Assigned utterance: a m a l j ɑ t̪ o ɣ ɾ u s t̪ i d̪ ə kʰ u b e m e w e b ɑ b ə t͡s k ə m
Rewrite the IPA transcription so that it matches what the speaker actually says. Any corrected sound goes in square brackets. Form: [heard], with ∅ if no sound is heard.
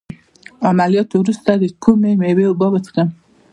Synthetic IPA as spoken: a m a l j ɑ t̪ o [w] ɾ u s t̪ [a] d̪ ə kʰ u [m] e m e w e b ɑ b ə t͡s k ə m